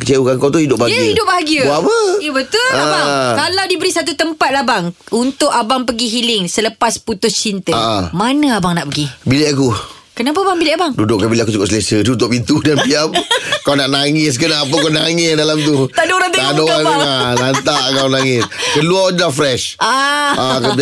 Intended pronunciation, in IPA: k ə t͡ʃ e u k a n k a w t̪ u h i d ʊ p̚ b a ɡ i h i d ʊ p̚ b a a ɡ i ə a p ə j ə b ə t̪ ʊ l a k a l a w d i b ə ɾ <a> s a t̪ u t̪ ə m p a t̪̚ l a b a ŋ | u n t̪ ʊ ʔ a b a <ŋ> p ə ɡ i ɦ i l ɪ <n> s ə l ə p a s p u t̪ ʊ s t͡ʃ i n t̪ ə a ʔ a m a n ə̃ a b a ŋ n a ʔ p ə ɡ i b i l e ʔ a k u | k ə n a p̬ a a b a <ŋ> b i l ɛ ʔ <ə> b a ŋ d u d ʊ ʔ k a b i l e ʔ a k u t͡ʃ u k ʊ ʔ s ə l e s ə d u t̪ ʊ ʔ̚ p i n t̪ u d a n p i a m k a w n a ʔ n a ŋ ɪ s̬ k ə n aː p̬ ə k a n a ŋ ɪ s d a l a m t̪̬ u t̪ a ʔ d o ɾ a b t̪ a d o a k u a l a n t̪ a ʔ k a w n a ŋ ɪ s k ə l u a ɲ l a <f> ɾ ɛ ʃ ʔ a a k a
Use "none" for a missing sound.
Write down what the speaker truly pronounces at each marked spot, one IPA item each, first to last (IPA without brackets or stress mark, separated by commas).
i, ŋ, ŋ, ŋ, a, f